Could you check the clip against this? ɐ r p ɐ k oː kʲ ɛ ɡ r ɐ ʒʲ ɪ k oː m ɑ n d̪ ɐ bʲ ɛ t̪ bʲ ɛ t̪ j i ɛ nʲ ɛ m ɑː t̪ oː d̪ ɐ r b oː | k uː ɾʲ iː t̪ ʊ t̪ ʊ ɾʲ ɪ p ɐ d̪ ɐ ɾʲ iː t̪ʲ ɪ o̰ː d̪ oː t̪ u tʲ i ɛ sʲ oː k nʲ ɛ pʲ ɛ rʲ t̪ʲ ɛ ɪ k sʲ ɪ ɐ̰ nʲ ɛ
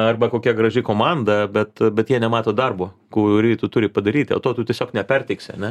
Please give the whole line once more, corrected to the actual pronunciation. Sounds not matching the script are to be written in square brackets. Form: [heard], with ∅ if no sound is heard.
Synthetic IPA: ɐ r [b] ɐ k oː kʲ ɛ ɡ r ɐ ʒʲ ɪ k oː m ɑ n d̪ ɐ bʲ ɛ t̪ bʲ ɛ t̪ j i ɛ nʲ ɛ m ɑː t̪ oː d̪ ɐ r b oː | k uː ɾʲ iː t̪ ʊ t̪ ʊ ɾʲ ɪ p ɐ d̪ ɐ ɾʲ iː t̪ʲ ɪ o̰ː [t̪] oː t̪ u tʲ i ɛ sʲ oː k nʲ ɛ pʲ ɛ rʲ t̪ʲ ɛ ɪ k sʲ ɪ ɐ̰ nʲ ɛ